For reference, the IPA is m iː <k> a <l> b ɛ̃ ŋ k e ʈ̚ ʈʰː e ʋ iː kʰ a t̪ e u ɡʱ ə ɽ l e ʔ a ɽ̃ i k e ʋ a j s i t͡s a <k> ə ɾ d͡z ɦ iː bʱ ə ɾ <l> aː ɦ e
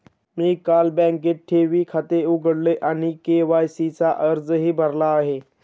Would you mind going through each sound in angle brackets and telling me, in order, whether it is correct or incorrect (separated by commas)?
correct, correct, incorrect, correct